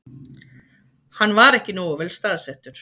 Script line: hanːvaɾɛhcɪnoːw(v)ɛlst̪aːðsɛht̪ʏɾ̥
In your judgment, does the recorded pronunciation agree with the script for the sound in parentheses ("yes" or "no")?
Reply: yes